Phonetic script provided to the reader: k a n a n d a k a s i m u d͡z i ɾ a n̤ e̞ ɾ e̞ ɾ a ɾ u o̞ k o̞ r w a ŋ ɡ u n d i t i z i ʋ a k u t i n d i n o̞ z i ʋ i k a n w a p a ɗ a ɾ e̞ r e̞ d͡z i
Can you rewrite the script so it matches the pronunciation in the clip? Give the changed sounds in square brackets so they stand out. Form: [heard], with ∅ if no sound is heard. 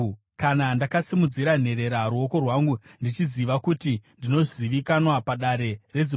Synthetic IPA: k a n a n d a k a s i m u d͡z i ɾ a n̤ e̞ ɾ e̞ ɾ a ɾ u o̞ k o̞ r w a ŋ ɡ u n d i [t͡ʃ] i z i ʋ a k u t i n d i n o̞ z i ʋ i k a n w a p a ɗ a ɾ e̞ r e̞ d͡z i